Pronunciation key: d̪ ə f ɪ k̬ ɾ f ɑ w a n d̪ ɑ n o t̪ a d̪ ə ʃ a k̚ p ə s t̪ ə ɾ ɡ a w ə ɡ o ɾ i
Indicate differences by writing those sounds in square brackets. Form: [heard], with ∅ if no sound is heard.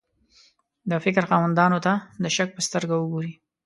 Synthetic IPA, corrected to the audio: d̪ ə f ɪ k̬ ɾ [x] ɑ w a n d̪ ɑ n o t̪ a d̪ ə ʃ a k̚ p ə s t̪ ə ɾ ɡ a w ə ɡ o ɾ i